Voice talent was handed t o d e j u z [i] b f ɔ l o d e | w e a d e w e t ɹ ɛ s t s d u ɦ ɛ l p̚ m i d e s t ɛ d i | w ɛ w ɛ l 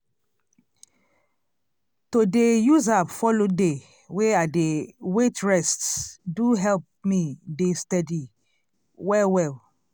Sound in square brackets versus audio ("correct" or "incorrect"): incorrect